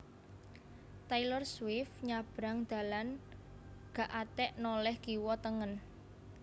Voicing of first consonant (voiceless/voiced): voiceless